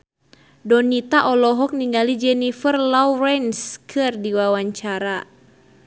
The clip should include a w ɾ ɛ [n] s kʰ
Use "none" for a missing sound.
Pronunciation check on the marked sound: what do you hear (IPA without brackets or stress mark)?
n